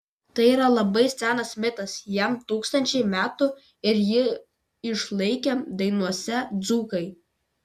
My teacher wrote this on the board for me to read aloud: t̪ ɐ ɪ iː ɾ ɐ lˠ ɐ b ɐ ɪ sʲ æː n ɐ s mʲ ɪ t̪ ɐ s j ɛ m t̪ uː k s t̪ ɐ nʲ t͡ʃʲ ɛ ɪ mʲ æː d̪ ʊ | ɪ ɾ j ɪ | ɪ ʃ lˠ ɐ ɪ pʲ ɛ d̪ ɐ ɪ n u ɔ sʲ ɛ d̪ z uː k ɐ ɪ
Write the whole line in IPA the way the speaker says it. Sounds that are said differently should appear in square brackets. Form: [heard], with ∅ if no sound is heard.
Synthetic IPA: t̪ ɐ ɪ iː ɾ ɐ lˠ ɐ b ɐ ɪ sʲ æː n ɐ s mʲ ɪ t̪ ɐ s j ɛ m t̪ uː k s t̪ ɐ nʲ t͡ʃʲ ɛ ɪ mʲ æː [t̪] ʊ | ɪ ɾ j ɪ | ɪ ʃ lˠ ɐ ɪ [kʲ] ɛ d̪ ɐ ɪ n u ɔ sʲ ɛ d̪ z uː k ɐ ɪ